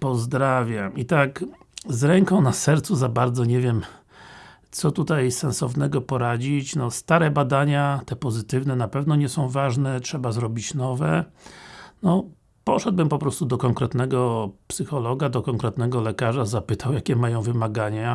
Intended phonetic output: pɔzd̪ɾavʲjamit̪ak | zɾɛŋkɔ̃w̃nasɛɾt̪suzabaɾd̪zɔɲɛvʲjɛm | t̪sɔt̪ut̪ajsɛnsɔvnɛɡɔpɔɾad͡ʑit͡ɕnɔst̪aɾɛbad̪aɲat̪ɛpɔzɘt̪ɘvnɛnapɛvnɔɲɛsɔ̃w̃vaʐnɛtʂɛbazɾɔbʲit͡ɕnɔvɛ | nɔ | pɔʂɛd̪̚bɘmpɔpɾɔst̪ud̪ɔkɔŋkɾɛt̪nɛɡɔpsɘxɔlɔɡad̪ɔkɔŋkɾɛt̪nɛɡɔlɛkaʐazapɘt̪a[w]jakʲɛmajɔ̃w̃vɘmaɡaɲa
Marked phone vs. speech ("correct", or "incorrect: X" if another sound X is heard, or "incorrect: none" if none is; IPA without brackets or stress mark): correct